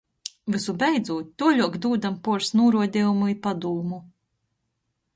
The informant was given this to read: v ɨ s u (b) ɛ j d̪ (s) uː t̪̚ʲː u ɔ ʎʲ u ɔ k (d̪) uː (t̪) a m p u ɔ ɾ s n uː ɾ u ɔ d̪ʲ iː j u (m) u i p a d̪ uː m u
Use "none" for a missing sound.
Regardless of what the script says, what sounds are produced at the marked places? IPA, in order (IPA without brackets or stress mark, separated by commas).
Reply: b, z, d̪, d̪, m